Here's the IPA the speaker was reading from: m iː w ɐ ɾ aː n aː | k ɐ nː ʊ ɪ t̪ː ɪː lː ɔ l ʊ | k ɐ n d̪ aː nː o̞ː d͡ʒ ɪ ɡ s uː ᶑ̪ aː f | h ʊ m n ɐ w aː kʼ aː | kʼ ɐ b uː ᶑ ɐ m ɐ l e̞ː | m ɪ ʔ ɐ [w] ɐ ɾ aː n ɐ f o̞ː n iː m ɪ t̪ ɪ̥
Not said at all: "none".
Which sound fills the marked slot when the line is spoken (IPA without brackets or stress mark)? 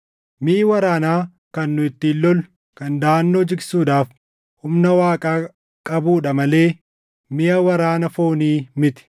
w